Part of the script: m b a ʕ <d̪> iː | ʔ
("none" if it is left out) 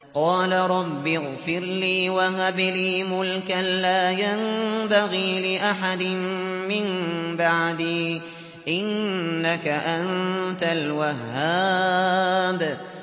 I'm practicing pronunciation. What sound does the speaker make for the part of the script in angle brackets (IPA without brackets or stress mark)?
d̪